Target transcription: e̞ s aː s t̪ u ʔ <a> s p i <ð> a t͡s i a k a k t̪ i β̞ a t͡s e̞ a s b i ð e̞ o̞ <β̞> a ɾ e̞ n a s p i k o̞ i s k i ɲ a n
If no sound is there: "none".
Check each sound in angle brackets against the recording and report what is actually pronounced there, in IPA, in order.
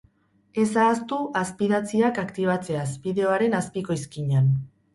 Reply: a, ð, none

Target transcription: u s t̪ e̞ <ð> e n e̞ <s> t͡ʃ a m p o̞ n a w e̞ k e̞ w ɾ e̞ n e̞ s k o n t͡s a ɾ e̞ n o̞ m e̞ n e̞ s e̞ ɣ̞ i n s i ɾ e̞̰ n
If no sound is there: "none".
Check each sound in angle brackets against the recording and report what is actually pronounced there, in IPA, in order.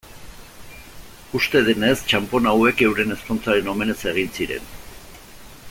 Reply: ð, s

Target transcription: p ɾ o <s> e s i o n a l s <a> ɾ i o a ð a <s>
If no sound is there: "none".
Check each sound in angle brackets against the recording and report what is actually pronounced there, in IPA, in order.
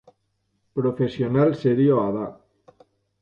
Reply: f, e, none

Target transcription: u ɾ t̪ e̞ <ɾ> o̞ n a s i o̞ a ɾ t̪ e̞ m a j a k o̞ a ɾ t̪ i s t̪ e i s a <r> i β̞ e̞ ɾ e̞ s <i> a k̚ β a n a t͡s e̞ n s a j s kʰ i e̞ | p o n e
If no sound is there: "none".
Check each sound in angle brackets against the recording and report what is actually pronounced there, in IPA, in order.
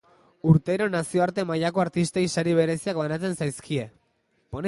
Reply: ɾ, ɾ, i

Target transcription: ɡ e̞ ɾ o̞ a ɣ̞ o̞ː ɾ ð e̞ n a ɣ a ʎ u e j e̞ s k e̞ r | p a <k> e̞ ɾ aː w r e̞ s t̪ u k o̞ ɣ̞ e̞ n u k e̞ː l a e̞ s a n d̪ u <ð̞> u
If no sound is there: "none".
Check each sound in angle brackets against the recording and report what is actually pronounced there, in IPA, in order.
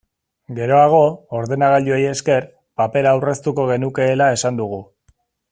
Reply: p, ɣ̞

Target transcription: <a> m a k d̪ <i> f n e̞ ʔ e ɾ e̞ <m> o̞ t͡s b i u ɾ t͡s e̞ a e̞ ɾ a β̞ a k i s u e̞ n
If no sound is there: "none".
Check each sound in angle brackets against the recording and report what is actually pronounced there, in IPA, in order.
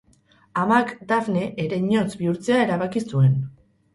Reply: a, a, ɲ

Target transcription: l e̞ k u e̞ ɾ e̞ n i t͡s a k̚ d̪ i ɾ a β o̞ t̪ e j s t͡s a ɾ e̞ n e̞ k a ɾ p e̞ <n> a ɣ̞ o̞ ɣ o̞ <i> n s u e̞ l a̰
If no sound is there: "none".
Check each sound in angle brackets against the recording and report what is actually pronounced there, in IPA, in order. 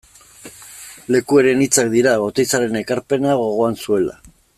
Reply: n, a

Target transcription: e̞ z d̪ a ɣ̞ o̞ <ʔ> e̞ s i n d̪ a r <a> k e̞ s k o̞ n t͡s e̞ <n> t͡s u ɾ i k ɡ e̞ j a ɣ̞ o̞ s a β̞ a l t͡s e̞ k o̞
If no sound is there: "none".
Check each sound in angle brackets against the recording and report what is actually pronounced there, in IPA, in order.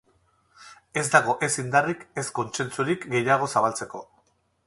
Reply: ʔ, i, n

